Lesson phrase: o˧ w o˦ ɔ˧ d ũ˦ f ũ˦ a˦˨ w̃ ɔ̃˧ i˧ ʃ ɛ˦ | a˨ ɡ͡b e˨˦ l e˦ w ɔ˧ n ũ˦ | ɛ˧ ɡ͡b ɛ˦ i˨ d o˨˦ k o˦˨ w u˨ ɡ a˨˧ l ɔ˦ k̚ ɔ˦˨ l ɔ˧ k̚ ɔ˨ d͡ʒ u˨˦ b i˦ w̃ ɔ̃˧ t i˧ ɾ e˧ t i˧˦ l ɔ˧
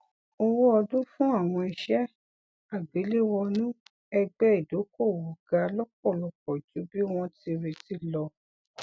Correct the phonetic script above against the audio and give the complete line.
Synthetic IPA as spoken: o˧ w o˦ ɔ˧ d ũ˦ f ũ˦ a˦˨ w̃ ɔ̃˧ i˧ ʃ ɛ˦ | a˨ ɡ͡b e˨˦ l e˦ w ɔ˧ n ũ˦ | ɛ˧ ɡ͡b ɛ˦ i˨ d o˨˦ k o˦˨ w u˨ ɡ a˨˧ l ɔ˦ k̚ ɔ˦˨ l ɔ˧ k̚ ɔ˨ d͡ʒ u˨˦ b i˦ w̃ ɔ̃˧ t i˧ ɾ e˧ t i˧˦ l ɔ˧

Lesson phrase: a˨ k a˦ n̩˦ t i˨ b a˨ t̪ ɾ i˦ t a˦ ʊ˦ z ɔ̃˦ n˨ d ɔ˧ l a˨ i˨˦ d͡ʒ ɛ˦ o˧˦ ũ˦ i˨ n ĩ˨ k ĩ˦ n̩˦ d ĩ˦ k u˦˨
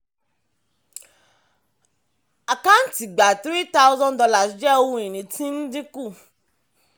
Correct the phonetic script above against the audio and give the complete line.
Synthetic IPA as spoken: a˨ k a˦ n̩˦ t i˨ ɡ͡b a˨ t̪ ɾ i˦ t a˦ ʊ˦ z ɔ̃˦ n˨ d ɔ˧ l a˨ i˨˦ d͡ʒ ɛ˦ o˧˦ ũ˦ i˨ n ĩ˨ t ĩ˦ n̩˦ d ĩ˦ k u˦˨

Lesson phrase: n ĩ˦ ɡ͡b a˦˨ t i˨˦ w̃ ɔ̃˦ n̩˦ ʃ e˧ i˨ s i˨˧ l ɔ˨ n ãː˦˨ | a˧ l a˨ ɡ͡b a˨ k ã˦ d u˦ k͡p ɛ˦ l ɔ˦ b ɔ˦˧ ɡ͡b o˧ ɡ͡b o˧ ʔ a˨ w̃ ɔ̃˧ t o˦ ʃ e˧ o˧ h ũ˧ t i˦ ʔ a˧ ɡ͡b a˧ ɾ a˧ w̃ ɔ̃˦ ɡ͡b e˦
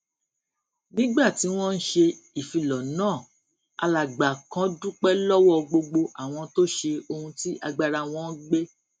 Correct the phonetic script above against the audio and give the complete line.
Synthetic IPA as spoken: n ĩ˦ ɡ͡b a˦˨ t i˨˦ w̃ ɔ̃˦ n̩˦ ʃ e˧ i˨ f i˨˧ l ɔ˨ n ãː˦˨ | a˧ l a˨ ɡ͡b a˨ k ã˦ d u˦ k͡p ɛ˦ l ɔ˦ w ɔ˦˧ ɡ͡b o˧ ɡ͡b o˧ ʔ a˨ w̃ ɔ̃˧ t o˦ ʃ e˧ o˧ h ũ˧ t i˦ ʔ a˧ ɡ͡b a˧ ɾ a˧ w̃ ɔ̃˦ ɡ͡b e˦

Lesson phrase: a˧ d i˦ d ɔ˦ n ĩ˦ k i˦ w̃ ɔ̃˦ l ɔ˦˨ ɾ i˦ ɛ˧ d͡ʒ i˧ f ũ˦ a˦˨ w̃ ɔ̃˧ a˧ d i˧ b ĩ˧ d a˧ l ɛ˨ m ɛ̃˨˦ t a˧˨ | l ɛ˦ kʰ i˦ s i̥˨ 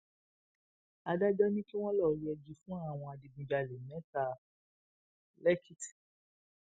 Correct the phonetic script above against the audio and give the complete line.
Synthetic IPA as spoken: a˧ d a˦ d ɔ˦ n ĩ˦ k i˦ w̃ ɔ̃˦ l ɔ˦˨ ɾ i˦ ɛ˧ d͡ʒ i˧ f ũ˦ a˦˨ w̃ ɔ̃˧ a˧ d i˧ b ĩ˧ d͡ʒ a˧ l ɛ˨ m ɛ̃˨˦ t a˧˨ | l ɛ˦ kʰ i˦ t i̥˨

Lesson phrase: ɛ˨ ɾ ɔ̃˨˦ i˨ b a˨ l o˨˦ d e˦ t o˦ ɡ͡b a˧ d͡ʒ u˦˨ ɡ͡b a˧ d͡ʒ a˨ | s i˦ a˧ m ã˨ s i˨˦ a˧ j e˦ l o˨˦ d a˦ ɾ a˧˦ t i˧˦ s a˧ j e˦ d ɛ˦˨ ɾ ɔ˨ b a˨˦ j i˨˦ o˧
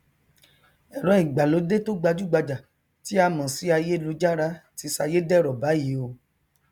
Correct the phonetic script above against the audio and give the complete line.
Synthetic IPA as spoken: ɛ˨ ɾ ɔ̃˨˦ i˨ ɡ͡b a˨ l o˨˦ d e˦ t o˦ ɡ͡b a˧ d͡ʒ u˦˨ ɡ͡b a˧ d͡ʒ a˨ | t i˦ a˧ m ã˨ s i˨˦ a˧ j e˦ l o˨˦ d͡ʒ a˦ ɾ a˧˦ t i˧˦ s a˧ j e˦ d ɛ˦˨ ɾ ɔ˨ b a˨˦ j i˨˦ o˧

